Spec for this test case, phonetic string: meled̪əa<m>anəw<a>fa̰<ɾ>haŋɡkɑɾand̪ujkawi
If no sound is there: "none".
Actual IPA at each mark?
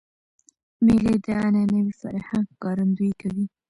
n, i, ɾ

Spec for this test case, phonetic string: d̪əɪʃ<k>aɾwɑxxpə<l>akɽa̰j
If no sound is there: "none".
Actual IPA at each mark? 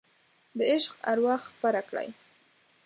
q, ɾ

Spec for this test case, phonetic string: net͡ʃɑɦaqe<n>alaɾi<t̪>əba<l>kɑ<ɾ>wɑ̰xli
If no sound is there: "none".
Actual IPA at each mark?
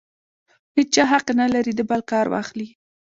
n, d̪, l, ɾ

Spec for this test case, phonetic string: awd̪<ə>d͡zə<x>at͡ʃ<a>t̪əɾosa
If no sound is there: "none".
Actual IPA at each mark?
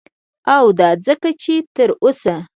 ɑ, k, e

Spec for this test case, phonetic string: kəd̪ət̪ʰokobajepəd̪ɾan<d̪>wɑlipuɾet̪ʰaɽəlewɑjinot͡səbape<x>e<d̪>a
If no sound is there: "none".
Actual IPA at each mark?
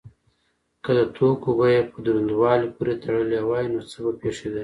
d̪, ʂ, d̪

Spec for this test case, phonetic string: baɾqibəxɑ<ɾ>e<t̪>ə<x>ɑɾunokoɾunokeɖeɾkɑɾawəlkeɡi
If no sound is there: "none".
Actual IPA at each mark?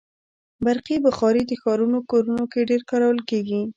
ɾ, d̪, x

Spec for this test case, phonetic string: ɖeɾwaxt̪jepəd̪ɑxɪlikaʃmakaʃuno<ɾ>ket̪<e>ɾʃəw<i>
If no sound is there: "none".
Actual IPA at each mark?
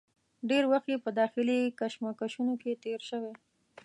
none, e, e

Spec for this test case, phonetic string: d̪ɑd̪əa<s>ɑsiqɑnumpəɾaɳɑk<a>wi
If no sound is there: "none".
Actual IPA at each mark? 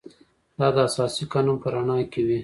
s, e

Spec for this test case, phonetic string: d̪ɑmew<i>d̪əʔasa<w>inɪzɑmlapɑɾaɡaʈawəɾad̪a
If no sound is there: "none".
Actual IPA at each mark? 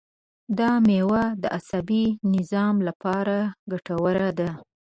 a, b

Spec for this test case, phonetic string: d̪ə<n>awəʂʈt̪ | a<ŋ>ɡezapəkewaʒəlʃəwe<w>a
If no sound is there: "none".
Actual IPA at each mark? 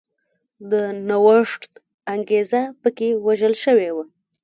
n, ŋ, w

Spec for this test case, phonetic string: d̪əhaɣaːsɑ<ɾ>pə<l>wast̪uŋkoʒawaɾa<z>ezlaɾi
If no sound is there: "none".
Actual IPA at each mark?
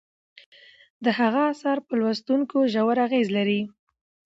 ɾ, l, ɣ

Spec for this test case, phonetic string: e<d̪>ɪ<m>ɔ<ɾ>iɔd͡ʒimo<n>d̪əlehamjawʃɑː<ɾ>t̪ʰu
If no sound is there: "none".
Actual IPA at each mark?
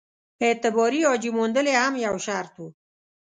t̪, b, ɾ, n, ɾ

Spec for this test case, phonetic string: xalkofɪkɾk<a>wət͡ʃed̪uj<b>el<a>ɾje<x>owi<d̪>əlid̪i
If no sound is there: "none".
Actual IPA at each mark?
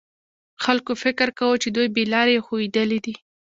a, b, ɑ, x, d̪

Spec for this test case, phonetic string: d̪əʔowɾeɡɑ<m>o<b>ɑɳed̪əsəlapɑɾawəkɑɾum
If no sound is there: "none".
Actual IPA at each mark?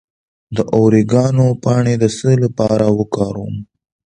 n, p

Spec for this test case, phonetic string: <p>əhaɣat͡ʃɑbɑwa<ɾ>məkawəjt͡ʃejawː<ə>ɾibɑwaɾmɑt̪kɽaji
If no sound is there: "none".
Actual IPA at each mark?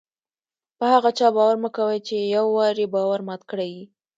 p, ɾ, ɑ

